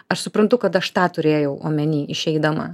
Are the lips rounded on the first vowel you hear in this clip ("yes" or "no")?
no